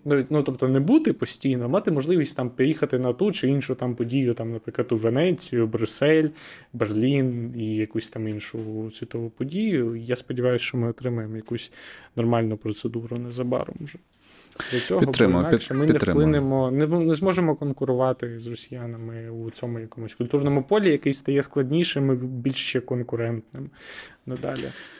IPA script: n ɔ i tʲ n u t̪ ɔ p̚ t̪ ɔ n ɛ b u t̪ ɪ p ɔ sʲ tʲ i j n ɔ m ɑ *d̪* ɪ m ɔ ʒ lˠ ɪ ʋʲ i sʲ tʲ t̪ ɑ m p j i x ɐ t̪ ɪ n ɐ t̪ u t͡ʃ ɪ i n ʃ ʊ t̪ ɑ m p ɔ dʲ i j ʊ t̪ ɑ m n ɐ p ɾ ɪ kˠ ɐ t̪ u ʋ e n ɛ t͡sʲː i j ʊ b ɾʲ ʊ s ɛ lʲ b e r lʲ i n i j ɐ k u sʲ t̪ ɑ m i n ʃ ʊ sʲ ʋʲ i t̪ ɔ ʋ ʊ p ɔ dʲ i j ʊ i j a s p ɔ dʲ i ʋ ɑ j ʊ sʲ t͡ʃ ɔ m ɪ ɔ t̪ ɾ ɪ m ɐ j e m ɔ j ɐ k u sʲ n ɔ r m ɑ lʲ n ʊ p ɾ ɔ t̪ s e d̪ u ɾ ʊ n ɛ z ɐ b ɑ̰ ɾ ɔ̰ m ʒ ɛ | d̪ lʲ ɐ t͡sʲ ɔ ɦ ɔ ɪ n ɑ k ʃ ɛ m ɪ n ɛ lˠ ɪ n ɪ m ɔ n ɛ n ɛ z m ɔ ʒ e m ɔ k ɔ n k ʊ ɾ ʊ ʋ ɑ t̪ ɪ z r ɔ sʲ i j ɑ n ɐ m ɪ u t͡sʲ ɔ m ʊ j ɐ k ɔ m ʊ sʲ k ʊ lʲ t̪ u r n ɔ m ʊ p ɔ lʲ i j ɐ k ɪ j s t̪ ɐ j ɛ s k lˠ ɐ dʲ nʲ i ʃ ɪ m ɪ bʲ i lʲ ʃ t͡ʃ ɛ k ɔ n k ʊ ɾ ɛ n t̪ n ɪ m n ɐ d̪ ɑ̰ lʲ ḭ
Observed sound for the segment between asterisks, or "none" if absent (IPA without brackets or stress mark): t̪